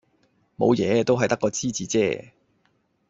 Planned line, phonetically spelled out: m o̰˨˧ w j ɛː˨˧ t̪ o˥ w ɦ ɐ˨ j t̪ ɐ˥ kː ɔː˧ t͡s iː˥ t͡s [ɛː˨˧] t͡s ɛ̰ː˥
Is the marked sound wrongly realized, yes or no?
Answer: yes